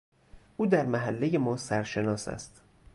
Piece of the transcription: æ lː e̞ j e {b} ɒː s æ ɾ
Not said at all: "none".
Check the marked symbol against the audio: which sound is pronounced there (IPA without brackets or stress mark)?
m